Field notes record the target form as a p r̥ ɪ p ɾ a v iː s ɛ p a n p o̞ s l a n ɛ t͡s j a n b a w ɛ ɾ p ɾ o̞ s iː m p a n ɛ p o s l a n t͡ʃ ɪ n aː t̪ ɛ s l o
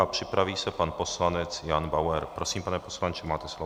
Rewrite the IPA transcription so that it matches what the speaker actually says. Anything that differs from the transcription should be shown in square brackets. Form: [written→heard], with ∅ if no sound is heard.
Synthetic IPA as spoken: a p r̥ ɪ p ɾ a v iː s ɛ p a n p o̞ s l a n ɛ t͡s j a n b a w ɛ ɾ p ɾ o̞ s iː m p a n ɛ p o s l a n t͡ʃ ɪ [n→m] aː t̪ ɛ s l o